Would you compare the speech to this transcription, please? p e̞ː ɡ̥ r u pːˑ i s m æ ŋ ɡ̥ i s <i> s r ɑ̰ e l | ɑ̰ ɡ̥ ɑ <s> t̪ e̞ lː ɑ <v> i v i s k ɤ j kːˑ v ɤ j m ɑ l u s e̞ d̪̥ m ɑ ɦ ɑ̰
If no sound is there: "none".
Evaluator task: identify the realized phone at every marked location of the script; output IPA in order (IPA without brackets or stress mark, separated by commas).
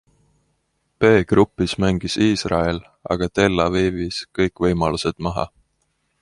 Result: iː, none, v